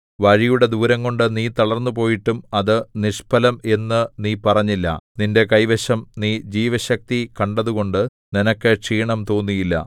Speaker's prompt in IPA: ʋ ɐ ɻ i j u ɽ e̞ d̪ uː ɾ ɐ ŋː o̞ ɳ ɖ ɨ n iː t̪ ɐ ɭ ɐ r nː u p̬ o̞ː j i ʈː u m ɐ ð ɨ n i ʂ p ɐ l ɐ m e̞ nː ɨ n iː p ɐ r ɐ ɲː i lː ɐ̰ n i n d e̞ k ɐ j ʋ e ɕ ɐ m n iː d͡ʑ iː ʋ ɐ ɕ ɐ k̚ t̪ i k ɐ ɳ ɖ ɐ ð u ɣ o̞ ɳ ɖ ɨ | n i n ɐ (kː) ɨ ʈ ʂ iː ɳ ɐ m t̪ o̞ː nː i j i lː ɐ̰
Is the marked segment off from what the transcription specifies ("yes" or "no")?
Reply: no